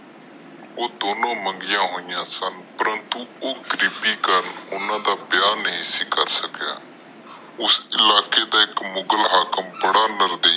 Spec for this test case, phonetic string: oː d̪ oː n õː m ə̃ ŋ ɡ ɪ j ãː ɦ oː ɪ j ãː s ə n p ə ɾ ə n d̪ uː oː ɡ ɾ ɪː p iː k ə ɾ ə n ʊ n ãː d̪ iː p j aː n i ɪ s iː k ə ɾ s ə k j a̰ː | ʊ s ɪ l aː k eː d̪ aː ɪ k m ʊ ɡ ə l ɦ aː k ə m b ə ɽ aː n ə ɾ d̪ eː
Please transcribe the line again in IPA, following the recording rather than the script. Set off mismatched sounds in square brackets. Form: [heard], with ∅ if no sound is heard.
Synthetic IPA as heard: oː d̪ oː n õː m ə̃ ŋ ɡ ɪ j ãː ɦ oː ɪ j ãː s ə n p ə ɾ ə n [t̪] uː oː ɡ ɾ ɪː p iː k ə ɾ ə n ʊ n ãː d̪ [aː] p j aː n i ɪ s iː k ə ɾ s ə k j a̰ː | ʊ s ɪ l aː k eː d̪ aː ɪ k m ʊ ɡ ə l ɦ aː k ə m b ə ɽ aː n ə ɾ d̪ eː